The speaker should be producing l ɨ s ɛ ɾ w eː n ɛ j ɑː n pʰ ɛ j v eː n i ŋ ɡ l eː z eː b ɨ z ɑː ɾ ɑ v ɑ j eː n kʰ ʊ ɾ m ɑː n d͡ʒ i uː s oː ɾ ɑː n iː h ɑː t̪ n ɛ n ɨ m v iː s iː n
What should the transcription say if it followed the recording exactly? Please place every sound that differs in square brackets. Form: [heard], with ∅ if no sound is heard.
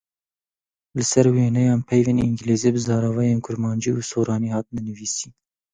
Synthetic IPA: l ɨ s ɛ ɾ w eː n ɛ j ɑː n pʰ ɛ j v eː n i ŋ ɡ l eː z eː b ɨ z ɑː ɾ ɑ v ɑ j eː n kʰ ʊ ɾ m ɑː n d͡ʒ i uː s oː ɾ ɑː n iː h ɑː t̪ n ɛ n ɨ [∅] v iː s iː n